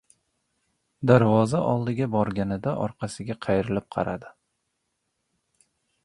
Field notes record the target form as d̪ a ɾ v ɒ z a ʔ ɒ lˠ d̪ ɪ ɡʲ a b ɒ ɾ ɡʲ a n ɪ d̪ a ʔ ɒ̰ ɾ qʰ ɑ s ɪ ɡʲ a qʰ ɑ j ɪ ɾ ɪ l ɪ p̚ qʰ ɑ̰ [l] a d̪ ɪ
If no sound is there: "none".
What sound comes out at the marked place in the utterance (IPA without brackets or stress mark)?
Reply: ɾ